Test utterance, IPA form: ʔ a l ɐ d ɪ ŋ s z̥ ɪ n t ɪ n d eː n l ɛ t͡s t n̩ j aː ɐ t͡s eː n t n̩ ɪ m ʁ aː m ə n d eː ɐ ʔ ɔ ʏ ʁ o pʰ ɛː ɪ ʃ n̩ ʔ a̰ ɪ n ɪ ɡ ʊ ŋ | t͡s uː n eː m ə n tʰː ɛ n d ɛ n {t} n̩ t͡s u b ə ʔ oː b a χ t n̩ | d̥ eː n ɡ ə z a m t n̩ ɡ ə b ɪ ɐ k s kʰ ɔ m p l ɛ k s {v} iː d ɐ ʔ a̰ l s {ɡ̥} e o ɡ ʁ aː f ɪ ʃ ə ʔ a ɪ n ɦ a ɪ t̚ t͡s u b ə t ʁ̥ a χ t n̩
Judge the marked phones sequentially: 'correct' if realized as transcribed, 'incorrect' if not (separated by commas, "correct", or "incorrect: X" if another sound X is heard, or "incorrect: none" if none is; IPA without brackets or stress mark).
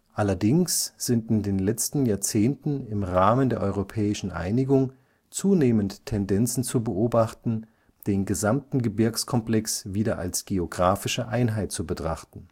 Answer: incorrect: t͡s, correct, correct